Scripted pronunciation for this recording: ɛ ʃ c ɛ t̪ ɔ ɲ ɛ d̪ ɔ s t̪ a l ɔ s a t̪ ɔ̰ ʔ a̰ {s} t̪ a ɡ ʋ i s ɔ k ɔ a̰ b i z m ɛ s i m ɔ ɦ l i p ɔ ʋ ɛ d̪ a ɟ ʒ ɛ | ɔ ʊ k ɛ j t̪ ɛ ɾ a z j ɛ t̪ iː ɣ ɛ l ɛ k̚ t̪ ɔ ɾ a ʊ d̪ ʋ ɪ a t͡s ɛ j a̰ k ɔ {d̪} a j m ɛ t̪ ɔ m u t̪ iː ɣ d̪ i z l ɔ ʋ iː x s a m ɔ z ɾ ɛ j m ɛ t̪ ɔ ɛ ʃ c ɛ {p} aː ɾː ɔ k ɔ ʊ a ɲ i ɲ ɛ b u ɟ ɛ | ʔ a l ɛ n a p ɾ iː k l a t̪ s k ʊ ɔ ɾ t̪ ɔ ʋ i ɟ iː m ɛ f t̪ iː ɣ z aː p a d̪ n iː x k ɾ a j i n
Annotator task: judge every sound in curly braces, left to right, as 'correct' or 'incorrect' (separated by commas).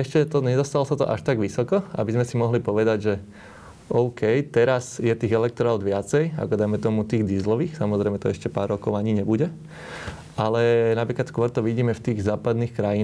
incorrect, correct, correct